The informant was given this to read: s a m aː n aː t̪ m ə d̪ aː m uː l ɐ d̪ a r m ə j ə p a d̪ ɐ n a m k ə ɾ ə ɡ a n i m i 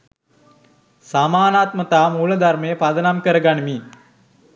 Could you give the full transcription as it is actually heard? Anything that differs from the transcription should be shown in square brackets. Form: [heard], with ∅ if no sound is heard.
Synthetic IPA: s a m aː n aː t̪ m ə [t̪] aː m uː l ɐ d̪ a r m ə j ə p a d̪ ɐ n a m k ə ɾ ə ɡ a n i m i